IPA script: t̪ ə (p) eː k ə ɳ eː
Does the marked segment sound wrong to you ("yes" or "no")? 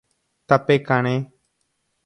no